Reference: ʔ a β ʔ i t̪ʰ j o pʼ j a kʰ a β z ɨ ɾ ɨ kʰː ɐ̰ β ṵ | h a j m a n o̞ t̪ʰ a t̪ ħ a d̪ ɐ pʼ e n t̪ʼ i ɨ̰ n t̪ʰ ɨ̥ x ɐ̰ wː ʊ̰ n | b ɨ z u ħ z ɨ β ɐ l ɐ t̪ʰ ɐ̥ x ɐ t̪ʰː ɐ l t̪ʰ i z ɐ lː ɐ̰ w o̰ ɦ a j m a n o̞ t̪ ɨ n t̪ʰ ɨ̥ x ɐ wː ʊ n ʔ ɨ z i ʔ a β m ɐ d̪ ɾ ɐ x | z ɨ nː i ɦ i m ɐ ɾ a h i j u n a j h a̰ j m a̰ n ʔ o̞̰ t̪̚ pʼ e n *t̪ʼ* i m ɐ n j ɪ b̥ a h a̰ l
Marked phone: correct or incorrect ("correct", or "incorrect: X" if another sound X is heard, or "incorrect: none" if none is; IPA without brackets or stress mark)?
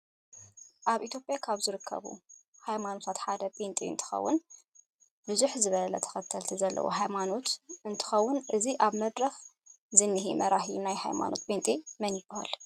correct